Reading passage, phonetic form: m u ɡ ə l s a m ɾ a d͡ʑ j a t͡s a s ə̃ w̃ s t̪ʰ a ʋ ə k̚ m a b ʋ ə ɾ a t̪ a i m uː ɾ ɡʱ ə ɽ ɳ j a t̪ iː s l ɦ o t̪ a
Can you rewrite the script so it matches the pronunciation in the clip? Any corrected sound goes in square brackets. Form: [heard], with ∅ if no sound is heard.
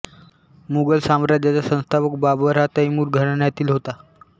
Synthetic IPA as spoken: m u ɡ ə l s a m ɾ a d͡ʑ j a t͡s a s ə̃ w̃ s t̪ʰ a ʋ ə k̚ [b] a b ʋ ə ɾ a t̪ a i m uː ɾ ɡʱ ə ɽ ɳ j a t̪ iː [∅] l ɦ o t̪ a